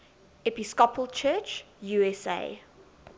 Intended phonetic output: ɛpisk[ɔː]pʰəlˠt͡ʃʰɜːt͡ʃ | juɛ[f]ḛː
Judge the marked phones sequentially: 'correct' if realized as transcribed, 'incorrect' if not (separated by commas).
incorrect, incorrect